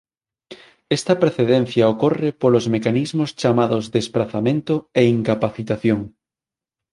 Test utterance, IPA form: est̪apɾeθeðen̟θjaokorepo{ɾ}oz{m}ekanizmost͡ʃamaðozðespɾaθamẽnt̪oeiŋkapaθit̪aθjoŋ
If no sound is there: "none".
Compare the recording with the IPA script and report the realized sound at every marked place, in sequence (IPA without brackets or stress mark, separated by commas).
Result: l, m